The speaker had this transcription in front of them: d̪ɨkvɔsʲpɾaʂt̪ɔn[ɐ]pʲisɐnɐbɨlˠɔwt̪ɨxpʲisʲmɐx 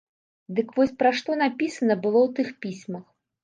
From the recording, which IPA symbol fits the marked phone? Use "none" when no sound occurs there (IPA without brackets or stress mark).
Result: a